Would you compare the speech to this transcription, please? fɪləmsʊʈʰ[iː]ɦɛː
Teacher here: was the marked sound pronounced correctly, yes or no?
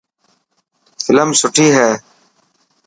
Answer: yes